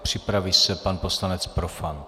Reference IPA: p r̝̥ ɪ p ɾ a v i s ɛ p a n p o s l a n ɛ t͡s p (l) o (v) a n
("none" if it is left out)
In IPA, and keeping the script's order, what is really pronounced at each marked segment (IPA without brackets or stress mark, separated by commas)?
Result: ɾ, f